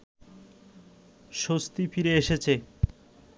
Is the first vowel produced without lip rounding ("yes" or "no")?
no